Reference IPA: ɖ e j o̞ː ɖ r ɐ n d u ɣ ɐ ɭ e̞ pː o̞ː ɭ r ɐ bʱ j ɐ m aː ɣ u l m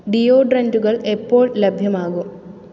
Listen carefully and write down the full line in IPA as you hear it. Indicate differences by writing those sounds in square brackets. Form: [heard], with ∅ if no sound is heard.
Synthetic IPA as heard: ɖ [i] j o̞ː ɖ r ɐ n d u ɣ ɐ ɭ e̞ pː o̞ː ɭ [l] ɐ bʱ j ɐ m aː ɣ u [∅] m